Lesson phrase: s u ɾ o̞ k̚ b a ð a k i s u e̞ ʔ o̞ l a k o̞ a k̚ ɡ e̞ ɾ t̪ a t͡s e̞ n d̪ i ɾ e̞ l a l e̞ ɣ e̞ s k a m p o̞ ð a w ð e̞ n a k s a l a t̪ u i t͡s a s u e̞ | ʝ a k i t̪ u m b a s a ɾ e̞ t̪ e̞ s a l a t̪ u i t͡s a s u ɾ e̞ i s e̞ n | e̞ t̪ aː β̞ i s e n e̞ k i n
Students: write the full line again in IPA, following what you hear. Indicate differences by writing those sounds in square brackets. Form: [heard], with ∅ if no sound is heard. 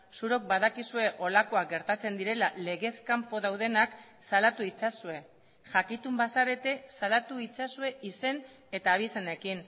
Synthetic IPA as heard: s u ɾ o̞ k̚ b a ð a k i s u e̞ ʔ o̞ l a k o̞ a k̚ ɡ e̞ ɾ t̪ a t͡s e̞ n d̪ i ɾ e̞ l a l e̞ ɣ e̞ s k a m p o̞ ð a w ð e̞ n a k s a l a t̪ u i t͡s a s u e̞ | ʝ a k i t̪ u m b a s a ɾ e̞ t̪ e̞ s a l a t̪ u i t͡s a s u [∅] e̞ i s e̞ n | e̞ t̪ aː β̞ i s e n e̞ k i n